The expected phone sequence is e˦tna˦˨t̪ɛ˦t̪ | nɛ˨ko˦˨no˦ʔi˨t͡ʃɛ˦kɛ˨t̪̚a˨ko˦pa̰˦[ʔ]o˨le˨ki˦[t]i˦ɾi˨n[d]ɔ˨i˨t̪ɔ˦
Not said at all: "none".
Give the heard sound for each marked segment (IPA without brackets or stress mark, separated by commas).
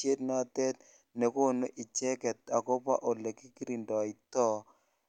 ʔ, k, d